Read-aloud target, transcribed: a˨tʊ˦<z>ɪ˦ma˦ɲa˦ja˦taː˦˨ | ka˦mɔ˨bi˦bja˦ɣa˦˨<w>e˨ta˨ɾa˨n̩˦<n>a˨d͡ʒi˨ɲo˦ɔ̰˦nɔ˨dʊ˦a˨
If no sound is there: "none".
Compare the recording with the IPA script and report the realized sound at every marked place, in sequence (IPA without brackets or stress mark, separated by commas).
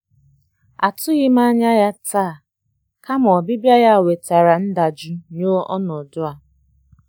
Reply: ɣ, w, d